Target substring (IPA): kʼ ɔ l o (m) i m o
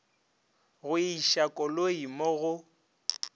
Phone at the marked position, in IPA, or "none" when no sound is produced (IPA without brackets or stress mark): none